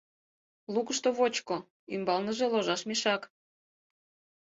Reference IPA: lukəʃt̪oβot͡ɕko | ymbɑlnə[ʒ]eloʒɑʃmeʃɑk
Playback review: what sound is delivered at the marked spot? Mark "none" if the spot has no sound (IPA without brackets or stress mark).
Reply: ʒ